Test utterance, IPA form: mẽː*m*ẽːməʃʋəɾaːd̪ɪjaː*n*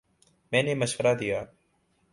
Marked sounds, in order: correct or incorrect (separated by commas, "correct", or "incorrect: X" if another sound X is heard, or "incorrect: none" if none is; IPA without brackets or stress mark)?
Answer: incorrect: n, incorrect: none